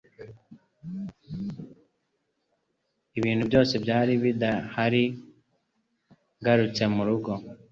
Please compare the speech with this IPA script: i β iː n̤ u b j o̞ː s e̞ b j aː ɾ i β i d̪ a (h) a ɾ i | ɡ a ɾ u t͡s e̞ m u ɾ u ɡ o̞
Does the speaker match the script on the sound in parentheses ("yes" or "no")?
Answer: yes